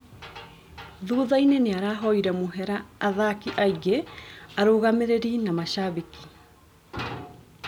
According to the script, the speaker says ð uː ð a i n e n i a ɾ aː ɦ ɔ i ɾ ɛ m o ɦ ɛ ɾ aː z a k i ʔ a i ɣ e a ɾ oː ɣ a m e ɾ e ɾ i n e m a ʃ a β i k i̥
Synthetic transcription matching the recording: ð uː ð a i n e n e a ɾ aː ɦ ɔ i ɾ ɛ m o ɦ ɛ ɾ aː ð a k i ʔ a i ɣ e a ɾ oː ɣ a m e ɾ e ɾ i n a m a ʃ a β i k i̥